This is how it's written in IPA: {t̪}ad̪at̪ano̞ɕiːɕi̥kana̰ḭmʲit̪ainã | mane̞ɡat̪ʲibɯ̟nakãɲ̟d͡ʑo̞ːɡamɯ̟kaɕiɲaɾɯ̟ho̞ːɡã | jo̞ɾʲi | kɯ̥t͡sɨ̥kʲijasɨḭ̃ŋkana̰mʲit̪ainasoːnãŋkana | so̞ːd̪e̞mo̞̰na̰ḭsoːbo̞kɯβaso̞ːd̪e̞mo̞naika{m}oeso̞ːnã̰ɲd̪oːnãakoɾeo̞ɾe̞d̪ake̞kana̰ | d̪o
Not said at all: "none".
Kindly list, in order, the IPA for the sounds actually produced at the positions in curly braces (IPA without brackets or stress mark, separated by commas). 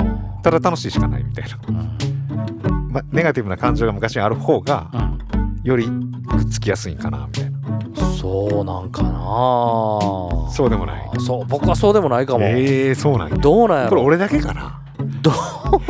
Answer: t̪, m